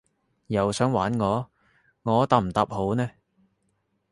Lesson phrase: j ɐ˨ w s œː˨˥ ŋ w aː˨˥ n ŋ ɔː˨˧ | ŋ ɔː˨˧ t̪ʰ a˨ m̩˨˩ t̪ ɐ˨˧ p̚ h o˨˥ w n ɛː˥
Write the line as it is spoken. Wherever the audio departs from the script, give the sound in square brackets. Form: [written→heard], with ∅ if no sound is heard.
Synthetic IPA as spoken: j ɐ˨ w s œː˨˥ ŋ w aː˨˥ n ŋ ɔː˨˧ | ŋ ɔː˨˧ [t̪ʰ→t̪] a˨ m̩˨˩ t̪ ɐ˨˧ p̚ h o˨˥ w n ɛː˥